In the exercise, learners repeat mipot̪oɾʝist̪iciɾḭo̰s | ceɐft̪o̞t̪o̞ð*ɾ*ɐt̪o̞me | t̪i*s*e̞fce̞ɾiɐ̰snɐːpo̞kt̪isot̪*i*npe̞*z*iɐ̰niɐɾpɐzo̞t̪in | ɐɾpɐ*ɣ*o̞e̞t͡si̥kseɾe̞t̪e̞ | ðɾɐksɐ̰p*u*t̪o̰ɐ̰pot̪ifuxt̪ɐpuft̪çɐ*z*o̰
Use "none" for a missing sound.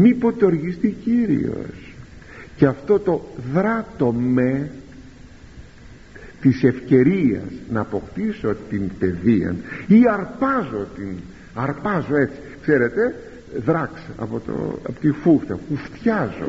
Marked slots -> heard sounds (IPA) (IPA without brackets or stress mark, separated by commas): ɾ, s, i, ð, z, o, z